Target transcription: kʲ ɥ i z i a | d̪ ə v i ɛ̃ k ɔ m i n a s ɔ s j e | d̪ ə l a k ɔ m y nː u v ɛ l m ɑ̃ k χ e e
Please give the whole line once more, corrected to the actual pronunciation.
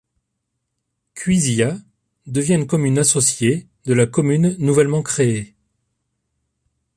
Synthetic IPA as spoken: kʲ ɥ i z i a | d̪ ə v j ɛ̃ k ɔ m y n a s ɔ s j e | d̪ ə l a k ɔ m y nː u v ɛ l m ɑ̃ k χ e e